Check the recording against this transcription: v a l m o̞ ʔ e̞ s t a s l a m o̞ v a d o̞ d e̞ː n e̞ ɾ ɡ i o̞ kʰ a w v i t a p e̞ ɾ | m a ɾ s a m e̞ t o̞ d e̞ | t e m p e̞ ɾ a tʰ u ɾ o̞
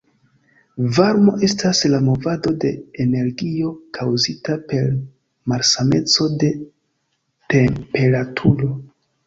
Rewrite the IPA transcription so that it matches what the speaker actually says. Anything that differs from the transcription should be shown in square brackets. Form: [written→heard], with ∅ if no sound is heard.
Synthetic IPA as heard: v a [l→ɾ] m o̞ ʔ e̞ s t a s l a m o̞ v a d o̞ d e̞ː n e̞ ɾ ɡ i o̞ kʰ a w [v→z] i t a p e̞ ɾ | m a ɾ s a m e̞ [t→t͡s] o̞ d e̞ | t e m p e̞ ɾ a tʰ u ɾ o̞